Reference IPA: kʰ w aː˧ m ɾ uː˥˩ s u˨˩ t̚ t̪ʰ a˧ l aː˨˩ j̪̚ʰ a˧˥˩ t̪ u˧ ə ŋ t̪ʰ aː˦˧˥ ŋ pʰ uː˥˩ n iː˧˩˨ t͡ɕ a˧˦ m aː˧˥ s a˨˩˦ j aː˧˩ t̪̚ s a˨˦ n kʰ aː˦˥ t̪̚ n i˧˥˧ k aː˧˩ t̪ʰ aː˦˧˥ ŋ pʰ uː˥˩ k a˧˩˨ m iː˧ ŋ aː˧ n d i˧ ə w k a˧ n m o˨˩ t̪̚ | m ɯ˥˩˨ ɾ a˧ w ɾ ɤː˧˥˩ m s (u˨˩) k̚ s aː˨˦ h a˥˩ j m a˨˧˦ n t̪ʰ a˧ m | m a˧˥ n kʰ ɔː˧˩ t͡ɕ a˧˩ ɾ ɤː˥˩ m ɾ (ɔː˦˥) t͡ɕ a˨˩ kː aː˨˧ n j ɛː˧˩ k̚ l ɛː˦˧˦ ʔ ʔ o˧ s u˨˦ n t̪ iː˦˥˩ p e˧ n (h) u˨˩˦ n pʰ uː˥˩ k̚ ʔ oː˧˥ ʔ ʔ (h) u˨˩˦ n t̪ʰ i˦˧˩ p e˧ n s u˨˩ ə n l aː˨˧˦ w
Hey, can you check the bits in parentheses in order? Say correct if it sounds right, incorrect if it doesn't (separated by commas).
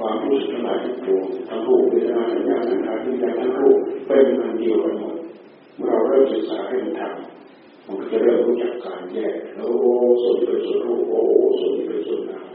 incorrect, incorrect, incorrect, incorrect